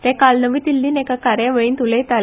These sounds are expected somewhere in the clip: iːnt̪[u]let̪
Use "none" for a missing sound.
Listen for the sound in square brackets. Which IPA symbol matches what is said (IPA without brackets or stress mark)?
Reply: u